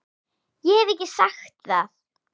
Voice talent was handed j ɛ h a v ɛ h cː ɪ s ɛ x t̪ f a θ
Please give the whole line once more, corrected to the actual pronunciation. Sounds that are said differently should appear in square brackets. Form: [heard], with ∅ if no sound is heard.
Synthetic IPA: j ɛ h [ɛ] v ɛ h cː ɪ s [a] x t̪ [θ] a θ